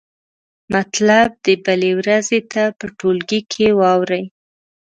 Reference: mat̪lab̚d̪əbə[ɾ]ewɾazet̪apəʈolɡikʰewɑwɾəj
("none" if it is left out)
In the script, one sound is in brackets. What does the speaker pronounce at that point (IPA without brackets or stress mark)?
l